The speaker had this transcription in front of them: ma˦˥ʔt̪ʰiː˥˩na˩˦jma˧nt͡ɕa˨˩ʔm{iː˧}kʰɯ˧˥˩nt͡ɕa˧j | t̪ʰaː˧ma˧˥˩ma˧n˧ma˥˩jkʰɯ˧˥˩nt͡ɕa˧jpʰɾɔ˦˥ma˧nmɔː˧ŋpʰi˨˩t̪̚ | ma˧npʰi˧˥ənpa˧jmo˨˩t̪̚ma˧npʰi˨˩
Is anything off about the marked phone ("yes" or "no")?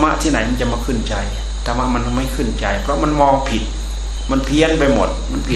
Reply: yes